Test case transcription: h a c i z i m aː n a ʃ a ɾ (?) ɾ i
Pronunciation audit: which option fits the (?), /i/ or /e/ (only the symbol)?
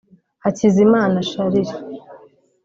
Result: i